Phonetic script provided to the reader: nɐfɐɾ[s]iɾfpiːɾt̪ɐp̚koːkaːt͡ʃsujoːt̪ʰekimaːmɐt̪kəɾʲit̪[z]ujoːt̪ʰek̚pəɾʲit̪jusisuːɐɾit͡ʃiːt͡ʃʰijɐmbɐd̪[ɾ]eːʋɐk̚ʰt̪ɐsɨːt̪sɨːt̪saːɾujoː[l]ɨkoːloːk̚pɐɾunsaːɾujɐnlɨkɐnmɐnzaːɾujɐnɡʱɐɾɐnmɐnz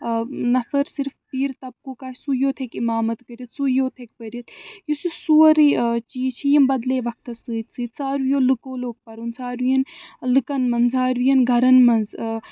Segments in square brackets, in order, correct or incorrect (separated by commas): correct, incorrect, incorrect, correct